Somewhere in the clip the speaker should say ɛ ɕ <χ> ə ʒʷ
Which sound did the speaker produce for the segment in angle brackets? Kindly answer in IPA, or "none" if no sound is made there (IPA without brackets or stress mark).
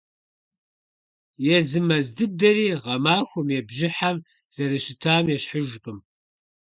ħ